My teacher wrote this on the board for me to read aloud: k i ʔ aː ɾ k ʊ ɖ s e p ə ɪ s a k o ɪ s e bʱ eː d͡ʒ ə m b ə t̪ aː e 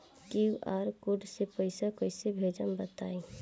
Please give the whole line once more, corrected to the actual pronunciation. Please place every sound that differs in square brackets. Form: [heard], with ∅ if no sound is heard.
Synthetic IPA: k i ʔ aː ɾ k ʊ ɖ s e p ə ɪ s a k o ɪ s e bʱ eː d͡ʒ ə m b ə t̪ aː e